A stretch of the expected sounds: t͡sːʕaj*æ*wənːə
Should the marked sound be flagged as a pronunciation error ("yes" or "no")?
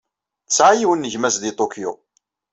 yes